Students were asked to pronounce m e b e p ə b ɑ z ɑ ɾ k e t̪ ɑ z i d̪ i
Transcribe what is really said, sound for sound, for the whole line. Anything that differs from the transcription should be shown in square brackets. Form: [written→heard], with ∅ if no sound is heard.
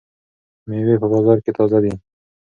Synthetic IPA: m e [b→w] e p ə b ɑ z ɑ ɾ k e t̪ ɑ z [i→a] d̪ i